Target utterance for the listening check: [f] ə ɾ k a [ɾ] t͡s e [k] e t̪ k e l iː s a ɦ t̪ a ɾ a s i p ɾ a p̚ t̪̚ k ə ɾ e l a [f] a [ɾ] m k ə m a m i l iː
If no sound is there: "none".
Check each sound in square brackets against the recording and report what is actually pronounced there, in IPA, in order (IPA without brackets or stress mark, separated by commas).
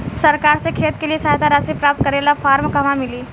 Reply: s, ɾ, kʰ, f, ɾ